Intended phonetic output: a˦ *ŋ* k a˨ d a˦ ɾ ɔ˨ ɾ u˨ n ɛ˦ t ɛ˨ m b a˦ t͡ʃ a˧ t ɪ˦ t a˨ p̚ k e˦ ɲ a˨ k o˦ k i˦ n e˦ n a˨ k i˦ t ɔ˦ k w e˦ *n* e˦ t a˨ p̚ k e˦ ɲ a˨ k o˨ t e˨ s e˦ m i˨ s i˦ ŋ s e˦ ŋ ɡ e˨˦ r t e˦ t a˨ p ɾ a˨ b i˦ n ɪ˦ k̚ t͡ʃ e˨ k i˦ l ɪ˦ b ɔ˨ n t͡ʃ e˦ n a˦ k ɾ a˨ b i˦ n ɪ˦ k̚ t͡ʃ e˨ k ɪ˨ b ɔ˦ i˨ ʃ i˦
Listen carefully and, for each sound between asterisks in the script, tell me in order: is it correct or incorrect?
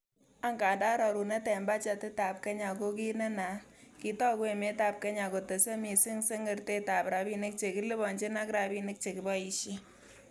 correct, incorrect

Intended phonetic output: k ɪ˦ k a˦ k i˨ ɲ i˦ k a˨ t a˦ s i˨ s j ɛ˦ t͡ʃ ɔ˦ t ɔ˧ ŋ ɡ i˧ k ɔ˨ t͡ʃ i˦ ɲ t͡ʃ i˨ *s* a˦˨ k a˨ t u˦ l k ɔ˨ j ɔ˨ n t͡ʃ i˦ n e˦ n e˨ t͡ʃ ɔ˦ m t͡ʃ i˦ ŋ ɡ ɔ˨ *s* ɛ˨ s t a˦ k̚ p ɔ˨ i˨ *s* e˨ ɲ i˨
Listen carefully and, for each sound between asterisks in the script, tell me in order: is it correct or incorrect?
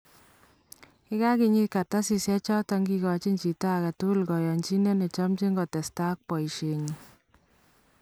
incorrect, incorrect, incorrect

